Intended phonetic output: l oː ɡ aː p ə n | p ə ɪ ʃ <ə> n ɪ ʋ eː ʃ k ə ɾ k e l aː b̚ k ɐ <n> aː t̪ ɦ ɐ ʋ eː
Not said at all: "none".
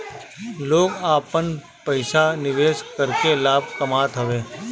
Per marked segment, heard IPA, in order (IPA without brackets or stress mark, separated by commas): a, m